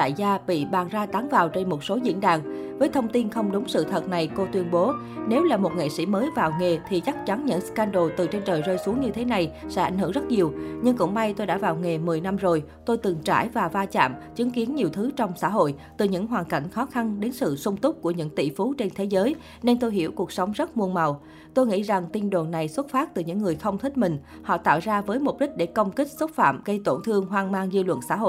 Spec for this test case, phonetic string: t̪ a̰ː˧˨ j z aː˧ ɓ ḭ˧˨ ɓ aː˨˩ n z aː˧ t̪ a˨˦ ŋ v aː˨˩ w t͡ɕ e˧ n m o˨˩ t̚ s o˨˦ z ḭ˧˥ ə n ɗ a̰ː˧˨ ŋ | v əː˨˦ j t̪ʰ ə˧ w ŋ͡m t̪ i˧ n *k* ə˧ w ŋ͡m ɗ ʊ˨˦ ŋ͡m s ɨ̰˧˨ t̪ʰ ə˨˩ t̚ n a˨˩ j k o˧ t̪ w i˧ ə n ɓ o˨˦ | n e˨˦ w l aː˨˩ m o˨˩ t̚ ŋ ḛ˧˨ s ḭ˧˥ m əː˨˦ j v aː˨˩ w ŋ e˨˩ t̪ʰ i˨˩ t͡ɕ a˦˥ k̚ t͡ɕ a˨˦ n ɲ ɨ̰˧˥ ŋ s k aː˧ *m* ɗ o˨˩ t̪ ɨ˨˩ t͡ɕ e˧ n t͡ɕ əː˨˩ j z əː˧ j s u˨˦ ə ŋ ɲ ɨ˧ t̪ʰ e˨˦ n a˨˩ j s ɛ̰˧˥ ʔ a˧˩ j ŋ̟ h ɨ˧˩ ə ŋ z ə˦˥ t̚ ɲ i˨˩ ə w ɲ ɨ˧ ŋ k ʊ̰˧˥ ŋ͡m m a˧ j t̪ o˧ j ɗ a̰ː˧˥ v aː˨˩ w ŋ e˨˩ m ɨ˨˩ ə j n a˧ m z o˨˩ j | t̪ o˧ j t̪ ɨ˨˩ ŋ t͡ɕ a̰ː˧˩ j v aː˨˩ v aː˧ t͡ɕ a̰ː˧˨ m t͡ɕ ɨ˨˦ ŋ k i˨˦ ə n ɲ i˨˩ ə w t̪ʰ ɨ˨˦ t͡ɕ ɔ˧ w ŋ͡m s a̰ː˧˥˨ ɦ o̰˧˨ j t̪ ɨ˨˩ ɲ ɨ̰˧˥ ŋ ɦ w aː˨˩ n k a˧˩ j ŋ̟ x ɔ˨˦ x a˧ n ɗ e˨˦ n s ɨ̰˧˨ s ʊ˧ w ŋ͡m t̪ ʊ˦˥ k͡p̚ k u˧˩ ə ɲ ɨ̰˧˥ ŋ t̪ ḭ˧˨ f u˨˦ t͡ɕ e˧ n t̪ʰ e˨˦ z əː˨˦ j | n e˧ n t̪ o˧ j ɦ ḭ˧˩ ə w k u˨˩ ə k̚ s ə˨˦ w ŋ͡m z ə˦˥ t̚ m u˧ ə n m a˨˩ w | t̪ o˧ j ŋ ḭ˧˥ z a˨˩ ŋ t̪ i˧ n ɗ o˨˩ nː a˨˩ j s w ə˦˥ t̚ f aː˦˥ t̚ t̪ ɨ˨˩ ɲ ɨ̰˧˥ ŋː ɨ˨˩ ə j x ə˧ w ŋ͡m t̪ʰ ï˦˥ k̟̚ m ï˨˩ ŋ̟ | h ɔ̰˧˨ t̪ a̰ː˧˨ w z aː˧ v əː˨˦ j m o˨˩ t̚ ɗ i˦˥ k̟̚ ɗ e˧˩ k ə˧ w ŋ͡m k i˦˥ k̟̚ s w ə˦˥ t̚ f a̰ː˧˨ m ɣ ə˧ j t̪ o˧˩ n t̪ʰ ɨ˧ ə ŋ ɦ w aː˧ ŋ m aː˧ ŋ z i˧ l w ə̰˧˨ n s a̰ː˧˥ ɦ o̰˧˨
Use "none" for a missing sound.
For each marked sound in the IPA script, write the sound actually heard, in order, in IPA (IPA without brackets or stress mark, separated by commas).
x, n